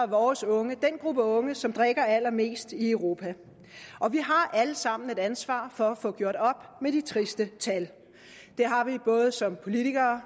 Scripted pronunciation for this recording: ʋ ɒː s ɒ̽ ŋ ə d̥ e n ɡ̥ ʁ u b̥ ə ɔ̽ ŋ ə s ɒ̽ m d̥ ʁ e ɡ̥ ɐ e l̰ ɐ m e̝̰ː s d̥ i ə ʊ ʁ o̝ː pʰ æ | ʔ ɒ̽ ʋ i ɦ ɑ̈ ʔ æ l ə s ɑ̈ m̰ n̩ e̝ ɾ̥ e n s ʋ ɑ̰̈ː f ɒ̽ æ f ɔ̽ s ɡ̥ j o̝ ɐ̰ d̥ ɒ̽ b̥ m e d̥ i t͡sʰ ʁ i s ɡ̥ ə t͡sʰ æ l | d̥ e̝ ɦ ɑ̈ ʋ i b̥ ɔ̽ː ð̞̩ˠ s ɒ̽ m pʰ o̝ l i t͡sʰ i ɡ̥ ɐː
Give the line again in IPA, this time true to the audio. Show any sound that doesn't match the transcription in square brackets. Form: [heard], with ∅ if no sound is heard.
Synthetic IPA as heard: ʋ ɒː s [ɔ̽] ŋ ə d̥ e n ɡ̥ ʁ u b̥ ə ɔ̽ ŋ ə s ɒ̽ m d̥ ʁ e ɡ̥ ɐ [æ] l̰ ɐ m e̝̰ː s d̥ i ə ʊ ʁ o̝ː pʰ æ | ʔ ɒ̽ ʋ i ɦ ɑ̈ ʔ æ l ə s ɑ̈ m̰ n̩ e̝ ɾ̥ [æ] n s ʋ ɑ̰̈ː f ɒ̽ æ f ɔ̽ [∅] ɡ̥ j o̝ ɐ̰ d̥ ɒ̽ b̥ m e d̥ i t͡sʰ ʁ i s [d̥] ə t͡sʰ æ l | d̥ e̝ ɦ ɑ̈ ʋ i b̥ ɔ̽ː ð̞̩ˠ s ɒ̽ m pʰ o̝ l i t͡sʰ i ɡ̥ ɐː